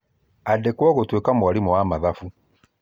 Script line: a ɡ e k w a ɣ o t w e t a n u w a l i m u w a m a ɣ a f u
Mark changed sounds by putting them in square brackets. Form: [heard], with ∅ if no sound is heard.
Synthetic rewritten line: a [d] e k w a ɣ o t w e [k] a [m] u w a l i m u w a m a [ð] a f u